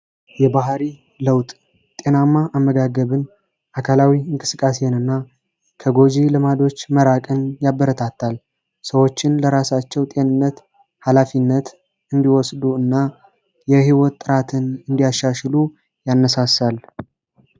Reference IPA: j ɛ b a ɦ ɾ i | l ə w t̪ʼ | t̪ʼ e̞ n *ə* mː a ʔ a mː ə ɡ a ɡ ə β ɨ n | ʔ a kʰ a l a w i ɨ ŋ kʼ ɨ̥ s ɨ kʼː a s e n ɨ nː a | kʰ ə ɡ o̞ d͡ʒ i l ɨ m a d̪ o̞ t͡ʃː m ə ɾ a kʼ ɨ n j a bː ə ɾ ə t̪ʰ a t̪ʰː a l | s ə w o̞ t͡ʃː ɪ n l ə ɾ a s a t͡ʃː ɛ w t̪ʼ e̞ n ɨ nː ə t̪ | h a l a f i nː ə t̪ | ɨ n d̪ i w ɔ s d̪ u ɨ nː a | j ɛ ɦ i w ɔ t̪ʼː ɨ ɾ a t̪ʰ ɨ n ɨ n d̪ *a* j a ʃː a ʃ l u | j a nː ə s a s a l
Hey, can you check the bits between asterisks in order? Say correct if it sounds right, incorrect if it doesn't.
incorrect, incorrect

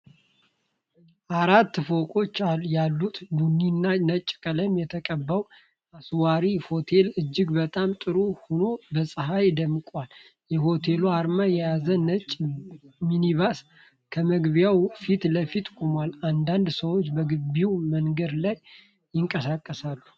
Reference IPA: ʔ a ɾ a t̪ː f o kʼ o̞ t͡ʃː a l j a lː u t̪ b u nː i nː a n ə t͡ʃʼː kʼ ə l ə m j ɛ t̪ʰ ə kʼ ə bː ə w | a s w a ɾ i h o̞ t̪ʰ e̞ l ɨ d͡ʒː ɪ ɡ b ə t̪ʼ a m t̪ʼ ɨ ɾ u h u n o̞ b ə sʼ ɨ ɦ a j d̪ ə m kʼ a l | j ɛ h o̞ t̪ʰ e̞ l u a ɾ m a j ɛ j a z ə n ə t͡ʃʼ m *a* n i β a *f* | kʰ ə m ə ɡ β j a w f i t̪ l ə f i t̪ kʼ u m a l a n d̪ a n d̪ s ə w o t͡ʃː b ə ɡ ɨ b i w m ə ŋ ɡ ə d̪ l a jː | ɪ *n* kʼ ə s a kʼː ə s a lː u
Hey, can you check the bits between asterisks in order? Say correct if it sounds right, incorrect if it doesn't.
incorrect, incorrect, incorrect

